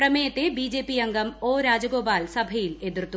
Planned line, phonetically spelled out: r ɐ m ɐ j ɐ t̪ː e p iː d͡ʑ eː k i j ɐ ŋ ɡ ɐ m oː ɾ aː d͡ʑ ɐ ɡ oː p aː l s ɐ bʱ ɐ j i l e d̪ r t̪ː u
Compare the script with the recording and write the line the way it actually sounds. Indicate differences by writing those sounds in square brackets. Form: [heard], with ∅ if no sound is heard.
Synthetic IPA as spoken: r ɐ m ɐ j ɐ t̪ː e [b] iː d͡ʑ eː [p] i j ɐ ŋ ɡ ɐ m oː ɾ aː d͡ʑ ɐ ɡ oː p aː l s ɐ bʱ ɐ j i l e d̪ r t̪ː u

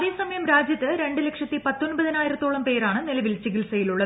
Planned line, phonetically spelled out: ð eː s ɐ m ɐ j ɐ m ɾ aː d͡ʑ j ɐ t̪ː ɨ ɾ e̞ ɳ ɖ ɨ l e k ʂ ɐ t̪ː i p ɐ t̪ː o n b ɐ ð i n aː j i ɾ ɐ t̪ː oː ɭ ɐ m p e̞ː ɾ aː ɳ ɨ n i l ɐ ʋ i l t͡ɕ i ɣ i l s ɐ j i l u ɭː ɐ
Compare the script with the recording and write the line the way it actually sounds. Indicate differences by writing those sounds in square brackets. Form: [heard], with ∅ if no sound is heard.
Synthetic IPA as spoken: ð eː s ɐ m ɐ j ɐ m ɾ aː d͡ʑ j ɐ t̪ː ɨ ɾ e̞ ɳ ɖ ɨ l e k ʂ ɐ t̪ː i p ɐ t̪ː o n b ɐ ð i n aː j i ɾ ɐ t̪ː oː ɭ ɐ m p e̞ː ɾ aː ɳ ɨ n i l ɐ ʋ i l t͡ɕ i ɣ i l s ɐ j i l u ɭː ɐ

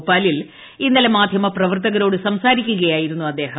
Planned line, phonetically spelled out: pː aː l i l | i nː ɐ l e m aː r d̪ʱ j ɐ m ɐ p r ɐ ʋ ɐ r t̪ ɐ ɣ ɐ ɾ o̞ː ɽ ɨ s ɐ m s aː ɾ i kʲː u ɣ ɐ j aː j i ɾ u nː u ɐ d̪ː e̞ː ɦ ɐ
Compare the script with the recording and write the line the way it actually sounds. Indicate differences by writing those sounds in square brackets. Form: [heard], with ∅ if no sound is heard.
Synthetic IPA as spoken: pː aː l i l | i nː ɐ l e m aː [∅] d̪ʱ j ɐ m ɐ p r ɐ ʋ ɐ r t̪ ɐ ɣ ɐ ɾ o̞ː ɽ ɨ s ɐ m s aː ɾ i kʲː u ɣ ɐ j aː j i ɾ u nː u ɐ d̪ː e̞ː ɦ ɐ

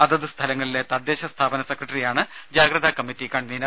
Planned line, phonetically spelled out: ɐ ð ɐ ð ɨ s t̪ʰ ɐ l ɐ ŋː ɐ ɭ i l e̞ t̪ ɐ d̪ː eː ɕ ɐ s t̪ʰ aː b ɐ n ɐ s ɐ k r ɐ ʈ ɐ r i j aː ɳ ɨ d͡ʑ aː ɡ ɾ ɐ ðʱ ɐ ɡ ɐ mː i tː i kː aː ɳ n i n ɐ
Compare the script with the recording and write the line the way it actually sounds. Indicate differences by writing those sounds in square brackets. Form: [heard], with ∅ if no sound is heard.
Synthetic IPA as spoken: ɐ ð ɐ ð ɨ s t̪ʰ ɐ l ɐ ŋː ɐ ɭ i l e̞ t̪ ɐ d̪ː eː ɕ ɐ s t̪ʰ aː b ɐ n ɐ s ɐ k r ɐ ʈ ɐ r i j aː ɳ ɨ d͡ʑ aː ɡ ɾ ɐ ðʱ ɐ [k] ɐ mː i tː i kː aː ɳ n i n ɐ

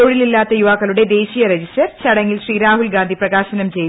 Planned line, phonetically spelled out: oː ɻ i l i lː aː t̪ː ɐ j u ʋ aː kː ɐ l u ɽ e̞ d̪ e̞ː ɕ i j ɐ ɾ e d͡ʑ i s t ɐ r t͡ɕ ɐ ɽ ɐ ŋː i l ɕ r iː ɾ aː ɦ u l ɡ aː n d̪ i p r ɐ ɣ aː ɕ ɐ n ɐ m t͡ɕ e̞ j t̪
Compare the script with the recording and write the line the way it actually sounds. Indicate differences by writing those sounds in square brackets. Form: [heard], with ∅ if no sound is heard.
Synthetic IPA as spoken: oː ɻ i l i lː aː t̪ː ɐ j u ʋ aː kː ɐ l u ɽ e̞ d̪ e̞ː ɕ i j ɐ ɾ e d͡ʑ i s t ɐ r t͡ɕ ɐ ɽ ɐ ŋː i l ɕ r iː ɾ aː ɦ u l ɡ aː n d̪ i p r ɐ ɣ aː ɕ ɐ n ɐ m t͡ɕ e̞ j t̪

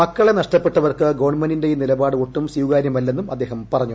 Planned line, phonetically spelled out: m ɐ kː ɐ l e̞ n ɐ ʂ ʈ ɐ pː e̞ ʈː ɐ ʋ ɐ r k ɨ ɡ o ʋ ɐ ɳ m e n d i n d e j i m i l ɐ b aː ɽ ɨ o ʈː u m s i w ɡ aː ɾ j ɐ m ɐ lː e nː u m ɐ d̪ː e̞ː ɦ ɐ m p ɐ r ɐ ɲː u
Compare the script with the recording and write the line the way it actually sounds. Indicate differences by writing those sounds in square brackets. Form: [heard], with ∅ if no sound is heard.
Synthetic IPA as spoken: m ɐ kː ɐ [ɭ] e̞ n ɐ ʂ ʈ ɐ pː e̞ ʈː ɐ ʋ ɐ r k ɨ ɡ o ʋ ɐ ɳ m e n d i n d e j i [n] i l ɐ b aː ɽ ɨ o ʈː u m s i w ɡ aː ɾ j ɐ m ɐ lː e nː u m ɐ d̪ː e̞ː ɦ ɐ m p ɐ r ɐ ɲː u

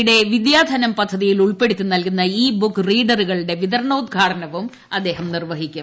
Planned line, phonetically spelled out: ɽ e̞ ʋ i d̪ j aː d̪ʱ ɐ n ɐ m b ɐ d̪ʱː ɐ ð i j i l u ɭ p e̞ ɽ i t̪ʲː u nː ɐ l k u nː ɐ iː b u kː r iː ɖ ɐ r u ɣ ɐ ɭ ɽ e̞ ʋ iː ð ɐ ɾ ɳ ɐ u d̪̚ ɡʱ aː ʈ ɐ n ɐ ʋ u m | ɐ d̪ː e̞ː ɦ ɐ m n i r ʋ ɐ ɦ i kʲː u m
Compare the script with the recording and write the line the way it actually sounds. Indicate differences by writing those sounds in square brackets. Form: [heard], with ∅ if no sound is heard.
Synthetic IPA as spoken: ɽ e̞ ʋ i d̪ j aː d̪ʱ ɐ n ɐ m [p] ɐ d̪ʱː ɐ ð i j i l u ɭ p e̞ ɽ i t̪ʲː u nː ɐ l k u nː ɐ iː b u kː r iː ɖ ɐ r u ɣ ɐ ɭ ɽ e̞ ʋ [i] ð ɐ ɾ ɳ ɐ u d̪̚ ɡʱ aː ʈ ɐ n ɐ ʋ u m | ɐ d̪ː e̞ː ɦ ɐ m n i r ʋ ɐ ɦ i kʲː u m

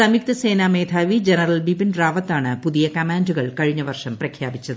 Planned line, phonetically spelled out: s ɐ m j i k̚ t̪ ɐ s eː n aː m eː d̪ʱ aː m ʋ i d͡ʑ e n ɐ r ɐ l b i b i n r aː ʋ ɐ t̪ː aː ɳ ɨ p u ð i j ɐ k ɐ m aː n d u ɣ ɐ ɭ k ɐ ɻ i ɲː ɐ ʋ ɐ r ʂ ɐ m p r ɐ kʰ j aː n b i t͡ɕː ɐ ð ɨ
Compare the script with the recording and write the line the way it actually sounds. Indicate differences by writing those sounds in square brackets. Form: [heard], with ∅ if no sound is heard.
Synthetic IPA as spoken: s ɐ m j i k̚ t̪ ɐ s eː n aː m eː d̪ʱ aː [∅] ʋ i d͡ʑ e n ɐ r ɐ l b i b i n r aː ʋ ɐ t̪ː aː ɳ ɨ p u ð i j ɐ k ɐ m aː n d u ɣ ɐ ɭ k ɐ ɻ i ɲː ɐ ʋ ɐ r ʂ ɐ m p r ɐ kʰ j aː [∅] b i t͡ɕː ɐ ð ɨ

